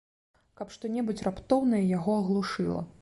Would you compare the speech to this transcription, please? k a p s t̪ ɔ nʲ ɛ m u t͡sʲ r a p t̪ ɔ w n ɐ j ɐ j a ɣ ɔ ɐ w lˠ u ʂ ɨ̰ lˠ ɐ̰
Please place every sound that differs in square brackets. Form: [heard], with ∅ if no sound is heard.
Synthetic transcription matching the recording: k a p [ʂ] t̪ ɔ nʲ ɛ [b] u t͡sʲ r a p t̪ ɔ w n ɐ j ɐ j a ɣ ɔ ɐ [ɣ] lˠ u ʂ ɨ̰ lˠ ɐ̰